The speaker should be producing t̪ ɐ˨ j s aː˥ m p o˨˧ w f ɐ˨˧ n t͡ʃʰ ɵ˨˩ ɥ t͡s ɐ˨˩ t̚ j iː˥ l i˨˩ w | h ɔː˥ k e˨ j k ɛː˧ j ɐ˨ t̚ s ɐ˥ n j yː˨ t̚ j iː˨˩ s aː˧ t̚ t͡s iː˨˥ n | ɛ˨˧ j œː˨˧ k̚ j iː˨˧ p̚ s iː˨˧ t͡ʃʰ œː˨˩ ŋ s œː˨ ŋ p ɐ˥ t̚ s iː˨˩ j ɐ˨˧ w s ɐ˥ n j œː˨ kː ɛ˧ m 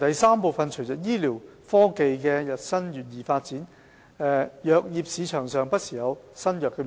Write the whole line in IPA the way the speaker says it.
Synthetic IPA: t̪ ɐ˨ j s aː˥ m p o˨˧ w f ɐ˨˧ n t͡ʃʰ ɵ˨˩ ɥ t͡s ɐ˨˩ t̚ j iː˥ l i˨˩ w | f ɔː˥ k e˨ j k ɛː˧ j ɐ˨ t̚ s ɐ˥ n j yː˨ t̚ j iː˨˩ f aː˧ t̚ t͡s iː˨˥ n | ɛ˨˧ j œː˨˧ k̚ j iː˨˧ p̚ s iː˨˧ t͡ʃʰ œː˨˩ ŋ s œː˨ ŋ p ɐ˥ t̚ s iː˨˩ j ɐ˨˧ w s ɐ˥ n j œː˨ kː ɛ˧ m